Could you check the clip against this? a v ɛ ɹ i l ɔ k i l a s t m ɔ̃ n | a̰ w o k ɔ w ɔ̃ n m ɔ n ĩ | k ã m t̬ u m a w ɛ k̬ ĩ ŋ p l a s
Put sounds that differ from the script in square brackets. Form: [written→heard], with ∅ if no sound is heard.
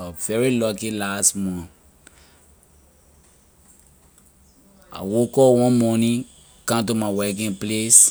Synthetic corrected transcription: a v ɛ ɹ i l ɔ k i l a s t m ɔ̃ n | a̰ w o k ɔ w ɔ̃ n m ɔ n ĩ | k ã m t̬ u m a w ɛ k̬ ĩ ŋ p l [a→e] s